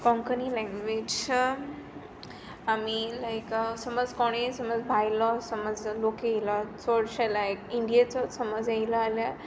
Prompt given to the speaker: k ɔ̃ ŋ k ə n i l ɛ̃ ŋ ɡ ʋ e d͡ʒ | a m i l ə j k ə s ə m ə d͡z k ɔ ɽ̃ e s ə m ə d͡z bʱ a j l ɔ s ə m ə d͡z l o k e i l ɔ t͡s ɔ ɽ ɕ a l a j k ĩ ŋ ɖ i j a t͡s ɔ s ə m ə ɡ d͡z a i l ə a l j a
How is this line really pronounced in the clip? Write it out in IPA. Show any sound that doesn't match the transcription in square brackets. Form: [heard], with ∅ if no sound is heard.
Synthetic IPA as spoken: k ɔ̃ ŋ k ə n i l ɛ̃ ŋ ɡ ʋ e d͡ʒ | a m i l [a] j k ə s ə m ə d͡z k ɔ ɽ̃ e s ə m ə d͡z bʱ a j l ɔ s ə m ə d͡z l o k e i l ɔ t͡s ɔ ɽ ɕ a l a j k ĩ [ɳ] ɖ i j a t͡s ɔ s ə m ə [∅] d͡z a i l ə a l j a

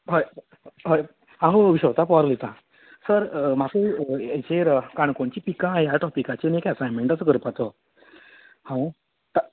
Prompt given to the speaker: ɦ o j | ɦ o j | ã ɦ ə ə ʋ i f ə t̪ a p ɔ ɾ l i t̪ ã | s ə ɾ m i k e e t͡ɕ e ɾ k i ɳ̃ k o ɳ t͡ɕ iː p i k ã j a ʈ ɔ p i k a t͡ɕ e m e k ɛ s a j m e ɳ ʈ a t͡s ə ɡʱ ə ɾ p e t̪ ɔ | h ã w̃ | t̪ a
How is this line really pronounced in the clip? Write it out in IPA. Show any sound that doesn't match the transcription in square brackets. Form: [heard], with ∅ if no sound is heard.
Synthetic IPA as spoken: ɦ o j | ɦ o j | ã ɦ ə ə ʋ i [ɕ] ə t̪ a p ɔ ɾ l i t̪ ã | s ə ɾ m [a] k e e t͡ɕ e ɾ k [a] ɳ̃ k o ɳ t͡ɕ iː p i k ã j a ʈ ɔ p i k a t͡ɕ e [n] e k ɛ s a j m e ɳ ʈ a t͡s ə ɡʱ ə ɾ p [a] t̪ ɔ | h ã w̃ | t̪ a

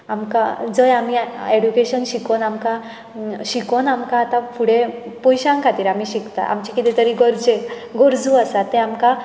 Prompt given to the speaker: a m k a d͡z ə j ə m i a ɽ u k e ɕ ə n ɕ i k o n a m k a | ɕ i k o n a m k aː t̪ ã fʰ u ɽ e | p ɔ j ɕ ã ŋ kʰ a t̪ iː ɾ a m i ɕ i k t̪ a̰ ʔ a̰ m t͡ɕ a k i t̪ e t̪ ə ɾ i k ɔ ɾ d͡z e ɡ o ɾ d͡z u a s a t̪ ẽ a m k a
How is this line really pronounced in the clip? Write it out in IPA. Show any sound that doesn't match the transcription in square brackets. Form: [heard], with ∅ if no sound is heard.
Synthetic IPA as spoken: a m k a d͡z ə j [a] m i [e] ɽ u k e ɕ ə n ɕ i k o n a m k a | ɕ i k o n a m k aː t̪ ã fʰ u ɽ e | p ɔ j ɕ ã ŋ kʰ a t̪ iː ɾ a m i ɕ i k t̪ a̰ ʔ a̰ m t͡ɕ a k i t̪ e t̪ ə ɾ i [ɡ] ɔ ɾ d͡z e ɡ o ɾ d͡z u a s a t̪ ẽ a m k a

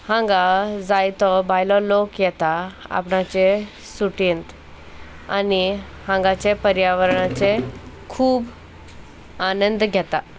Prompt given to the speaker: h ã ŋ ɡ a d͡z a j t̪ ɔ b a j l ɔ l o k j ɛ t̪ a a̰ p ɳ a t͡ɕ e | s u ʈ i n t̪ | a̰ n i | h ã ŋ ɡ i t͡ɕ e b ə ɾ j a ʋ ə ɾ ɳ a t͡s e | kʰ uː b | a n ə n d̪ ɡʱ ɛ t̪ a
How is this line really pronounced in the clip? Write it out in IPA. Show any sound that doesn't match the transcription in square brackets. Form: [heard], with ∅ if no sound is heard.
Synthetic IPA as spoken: h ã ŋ ɡ a d͡z a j t̪ ɔ b a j l ɔ l o k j ɛ t̪ a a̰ p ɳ a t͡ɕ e | s u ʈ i n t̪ | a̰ n i | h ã ŋ ɡ [a] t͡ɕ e [p] ə ɾ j a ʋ ə ɾ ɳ a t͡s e | kʰ uː b | a n ə n d̪ ɡʱ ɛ t̪ a

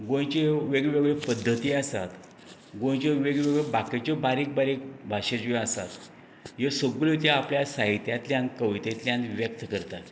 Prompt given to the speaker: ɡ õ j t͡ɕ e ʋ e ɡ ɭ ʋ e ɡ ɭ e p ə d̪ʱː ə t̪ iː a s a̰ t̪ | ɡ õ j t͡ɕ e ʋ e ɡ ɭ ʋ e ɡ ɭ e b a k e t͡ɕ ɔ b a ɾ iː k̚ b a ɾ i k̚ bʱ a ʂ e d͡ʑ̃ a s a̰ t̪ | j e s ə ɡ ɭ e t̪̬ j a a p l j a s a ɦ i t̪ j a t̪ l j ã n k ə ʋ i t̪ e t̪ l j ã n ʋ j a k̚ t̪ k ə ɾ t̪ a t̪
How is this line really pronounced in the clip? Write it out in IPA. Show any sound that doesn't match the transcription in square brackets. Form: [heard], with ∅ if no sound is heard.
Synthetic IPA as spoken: ɡ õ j t͡ɕ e ʋ e ɡ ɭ ʋ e ɡ ɭ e p ə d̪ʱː ə t̪ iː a s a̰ t̪ | ɡ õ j t͡ɕ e ʋ e ɡ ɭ ʋ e ɡ ɭ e b a k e t͡ɕ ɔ b a ɾ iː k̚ b a ɾ i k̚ bʱ a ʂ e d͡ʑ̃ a s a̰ t̪ | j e s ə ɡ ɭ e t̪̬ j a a p l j a s a ɦ i t̪ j a t̪ l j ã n k ə ʋ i t̪ e t̪ l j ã n ʋ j [ə] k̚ t̪ k ə ɾ t̪ a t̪

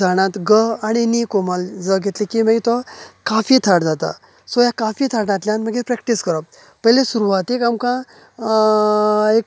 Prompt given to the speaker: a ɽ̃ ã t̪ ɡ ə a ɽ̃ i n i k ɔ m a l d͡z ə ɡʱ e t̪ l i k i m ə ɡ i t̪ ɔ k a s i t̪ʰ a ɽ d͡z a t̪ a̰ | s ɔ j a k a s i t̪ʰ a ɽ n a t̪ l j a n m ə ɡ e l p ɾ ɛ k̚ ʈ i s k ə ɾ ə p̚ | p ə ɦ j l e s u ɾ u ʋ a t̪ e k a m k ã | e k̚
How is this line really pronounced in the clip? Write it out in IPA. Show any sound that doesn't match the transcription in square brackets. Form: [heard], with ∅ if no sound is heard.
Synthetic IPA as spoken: a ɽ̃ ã t̪ ɡ ə a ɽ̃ i n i k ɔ m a l d͡z ə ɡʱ e t̪ l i k i m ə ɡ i t̪ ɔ k a [f] i t̪ʰ a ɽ d͡z a t̪ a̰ | s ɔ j a k a [f] i t̪ʰ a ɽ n a t̪ l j a n m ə ɡ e [∅] p ɾ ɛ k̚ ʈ i s k ə ɾ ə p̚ | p ə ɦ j l e s u ɾ u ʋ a t̪ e k a m k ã | e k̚

